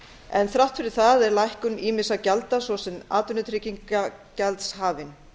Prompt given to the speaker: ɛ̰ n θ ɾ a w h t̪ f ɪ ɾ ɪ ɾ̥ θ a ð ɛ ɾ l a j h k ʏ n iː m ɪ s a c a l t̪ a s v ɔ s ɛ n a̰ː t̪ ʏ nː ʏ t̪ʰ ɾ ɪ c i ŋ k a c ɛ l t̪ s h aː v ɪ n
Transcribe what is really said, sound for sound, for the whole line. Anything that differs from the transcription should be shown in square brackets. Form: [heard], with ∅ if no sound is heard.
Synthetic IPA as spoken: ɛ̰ n θ ɾ a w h t̪ f ɪ ɾ ɪ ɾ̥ θ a ð ɛ ɾ l a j h k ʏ n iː m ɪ s a c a l t̪ a s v ɔ s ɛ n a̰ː t̪ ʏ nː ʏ t̪ʰ ɾ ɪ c i ŋ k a c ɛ l t̪ s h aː v ɪ n